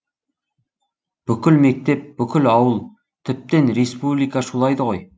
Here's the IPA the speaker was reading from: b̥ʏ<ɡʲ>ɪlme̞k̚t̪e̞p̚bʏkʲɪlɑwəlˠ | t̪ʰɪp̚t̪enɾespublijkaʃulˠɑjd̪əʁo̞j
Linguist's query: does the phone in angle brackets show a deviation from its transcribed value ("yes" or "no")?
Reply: yes